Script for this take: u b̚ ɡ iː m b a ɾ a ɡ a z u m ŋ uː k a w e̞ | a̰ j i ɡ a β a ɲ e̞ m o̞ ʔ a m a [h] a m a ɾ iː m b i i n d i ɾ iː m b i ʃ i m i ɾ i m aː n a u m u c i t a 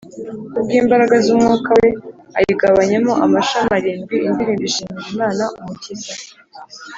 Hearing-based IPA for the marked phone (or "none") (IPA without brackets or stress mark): ʃ